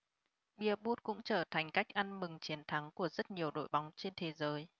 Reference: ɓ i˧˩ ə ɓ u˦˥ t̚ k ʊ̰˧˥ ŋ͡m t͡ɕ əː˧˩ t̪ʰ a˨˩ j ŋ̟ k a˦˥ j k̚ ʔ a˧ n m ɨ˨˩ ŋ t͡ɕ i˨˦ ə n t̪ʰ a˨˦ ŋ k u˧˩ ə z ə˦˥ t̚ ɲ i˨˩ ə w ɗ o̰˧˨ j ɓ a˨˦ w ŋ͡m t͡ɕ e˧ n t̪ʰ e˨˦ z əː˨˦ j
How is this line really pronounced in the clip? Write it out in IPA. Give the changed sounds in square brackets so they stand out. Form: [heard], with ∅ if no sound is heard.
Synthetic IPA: ɓ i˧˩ ə ɓ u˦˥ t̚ k ʊ̰˧˥ ŋ͡m t͡ɕ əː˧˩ t̪ʰ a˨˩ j ŋ̟ k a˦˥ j k̚ ʔ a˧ n m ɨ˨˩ ŋ t͡ɕ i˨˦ ə n t̪ʰ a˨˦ ŋ k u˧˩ ə z ə˦˥ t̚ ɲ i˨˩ ə w ɗ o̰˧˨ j ɓ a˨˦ w ŋ͡m t͡ɕ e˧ n t̪ʰ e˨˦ z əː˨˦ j